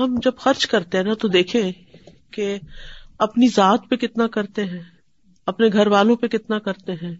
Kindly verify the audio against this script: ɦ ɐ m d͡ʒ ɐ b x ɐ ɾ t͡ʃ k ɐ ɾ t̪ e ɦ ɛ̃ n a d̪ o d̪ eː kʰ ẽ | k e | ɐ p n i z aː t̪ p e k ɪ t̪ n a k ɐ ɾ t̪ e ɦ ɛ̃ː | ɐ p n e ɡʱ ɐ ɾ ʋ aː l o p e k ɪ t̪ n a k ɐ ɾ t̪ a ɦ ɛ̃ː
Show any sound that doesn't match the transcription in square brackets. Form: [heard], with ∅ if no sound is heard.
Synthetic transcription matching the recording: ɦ ɐ m d͡ʒ ɐ b x ɐ ɾ t͡ʃ k ɐ ɾ t̪ e ɦ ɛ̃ n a [t̪] o d̪ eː kʰ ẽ | k e | ɐ p n i z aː t̪ p e k ɪ t̪ n a k ɐ ɾ t̪ e ɦ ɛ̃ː | ɐ p n e ɡʱ ɐ ɾ ʋ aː l [õ] p e k ɪ t̪ n a k ɐ ɾ t̪ [e] ɦ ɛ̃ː